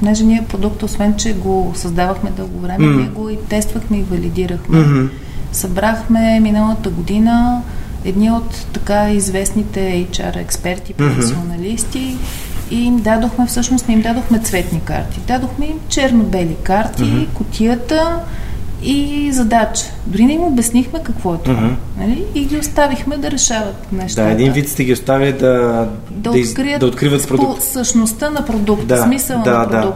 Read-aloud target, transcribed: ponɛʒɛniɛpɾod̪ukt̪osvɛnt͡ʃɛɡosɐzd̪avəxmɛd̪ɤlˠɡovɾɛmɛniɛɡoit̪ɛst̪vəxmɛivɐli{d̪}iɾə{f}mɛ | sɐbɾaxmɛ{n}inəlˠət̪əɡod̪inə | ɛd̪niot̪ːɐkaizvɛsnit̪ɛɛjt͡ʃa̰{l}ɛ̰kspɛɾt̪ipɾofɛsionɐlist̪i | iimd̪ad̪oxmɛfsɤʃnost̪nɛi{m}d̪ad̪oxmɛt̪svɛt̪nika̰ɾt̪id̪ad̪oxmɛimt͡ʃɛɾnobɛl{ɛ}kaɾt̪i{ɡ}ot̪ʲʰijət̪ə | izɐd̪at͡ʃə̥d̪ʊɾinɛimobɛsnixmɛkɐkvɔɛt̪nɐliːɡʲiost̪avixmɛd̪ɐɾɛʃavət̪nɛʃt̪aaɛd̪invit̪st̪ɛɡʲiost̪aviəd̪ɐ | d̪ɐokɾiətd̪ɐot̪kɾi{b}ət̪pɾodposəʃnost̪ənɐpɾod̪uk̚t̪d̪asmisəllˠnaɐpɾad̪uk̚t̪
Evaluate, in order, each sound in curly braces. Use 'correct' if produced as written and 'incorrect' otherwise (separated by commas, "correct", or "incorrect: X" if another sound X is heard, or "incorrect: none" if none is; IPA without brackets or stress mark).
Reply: correct, incorrect: x, incorrect: m, incorrect: ɾ, correct, incorrect: i, incorrect: k, incorrect: v